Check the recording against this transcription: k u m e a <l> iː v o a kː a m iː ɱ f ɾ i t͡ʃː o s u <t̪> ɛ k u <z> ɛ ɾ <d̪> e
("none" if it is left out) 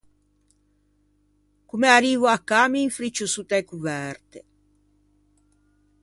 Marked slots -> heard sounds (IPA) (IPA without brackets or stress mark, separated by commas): ɾ, t̪, v, t̪